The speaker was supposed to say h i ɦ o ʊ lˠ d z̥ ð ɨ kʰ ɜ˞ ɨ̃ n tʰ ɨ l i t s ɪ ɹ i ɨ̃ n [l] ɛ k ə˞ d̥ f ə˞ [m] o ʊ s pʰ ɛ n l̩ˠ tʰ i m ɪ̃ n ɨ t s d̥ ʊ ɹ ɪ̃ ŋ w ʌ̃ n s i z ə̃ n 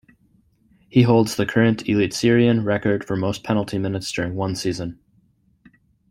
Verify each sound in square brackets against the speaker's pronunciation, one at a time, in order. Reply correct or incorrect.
incorrect: ɹ, correct

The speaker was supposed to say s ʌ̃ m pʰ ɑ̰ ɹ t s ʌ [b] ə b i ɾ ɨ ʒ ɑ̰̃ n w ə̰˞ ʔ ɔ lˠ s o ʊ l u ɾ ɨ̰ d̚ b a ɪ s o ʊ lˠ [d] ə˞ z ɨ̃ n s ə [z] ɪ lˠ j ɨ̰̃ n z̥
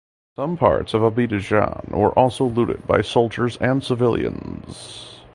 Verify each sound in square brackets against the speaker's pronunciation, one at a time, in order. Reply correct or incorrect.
incorrect: v, incorrect: d͡ʒ, incorrect: v

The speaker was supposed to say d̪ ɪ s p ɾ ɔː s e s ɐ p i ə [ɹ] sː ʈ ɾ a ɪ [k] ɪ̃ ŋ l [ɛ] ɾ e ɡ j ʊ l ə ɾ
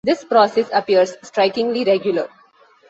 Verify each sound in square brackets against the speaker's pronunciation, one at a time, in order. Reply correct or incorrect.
incorrect: ɾ, correct, incorrect: i

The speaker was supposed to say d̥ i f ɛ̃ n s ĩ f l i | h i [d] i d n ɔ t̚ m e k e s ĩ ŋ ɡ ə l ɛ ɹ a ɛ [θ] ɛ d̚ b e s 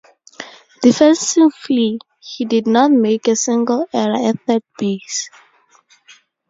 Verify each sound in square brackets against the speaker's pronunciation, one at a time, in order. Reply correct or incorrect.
correct, correct

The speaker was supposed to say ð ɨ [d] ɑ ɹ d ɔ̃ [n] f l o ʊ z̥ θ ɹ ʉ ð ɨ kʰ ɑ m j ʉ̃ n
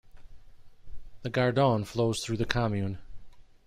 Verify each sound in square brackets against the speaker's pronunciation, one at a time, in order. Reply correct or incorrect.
incorrect: ɡ, correct

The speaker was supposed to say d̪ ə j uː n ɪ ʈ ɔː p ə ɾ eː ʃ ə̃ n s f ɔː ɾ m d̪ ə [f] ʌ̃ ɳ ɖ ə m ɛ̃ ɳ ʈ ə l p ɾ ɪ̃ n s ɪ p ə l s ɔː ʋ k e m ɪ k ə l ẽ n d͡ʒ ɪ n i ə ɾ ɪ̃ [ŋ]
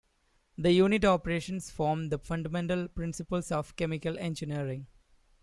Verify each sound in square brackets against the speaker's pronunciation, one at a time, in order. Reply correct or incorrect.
correct, correct

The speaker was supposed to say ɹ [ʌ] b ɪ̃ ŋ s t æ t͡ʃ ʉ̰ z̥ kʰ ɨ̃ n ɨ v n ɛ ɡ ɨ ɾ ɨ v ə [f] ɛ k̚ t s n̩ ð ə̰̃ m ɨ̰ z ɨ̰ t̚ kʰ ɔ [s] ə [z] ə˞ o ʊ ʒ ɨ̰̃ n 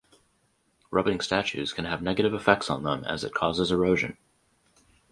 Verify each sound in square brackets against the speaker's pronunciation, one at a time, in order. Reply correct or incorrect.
correct, correct, incorrect: z, correct

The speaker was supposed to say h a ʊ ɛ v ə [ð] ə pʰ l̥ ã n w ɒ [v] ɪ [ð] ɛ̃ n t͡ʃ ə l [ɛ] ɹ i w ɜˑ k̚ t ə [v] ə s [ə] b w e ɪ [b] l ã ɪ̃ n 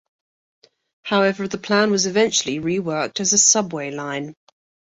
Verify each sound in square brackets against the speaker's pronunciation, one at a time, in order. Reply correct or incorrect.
correct, incorrect: z, incorrect: v, incorrect: i, incorrect: z, incorrect: ʌ, incorrect: none

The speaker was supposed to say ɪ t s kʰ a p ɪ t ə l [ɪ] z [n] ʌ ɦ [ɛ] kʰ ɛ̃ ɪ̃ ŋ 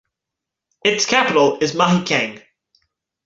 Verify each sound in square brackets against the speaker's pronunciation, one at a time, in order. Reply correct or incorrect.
correct, incorrect: m, incorrect: i

